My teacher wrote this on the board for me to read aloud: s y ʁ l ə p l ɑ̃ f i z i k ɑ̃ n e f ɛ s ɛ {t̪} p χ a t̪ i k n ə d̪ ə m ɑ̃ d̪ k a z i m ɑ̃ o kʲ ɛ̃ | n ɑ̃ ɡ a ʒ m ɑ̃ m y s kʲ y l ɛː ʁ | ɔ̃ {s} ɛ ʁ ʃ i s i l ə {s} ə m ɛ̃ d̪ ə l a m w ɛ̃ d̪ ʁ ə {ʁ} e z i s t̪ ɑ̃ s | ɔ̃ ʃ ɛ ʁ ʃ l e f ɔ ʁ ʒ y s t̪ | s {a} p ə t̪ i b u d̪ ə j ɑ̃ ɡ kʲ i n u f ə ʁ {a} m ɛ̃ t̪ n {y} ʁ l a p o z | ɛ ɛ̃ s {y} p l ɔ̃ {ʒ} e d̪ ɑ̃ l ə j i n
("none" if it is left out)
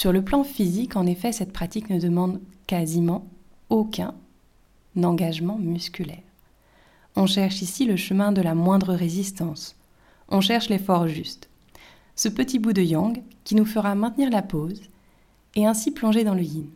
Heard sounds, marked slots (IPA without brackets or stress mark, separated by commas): t̪, ʃ, ʃ, ʁ, ə, a, i, i, ʒ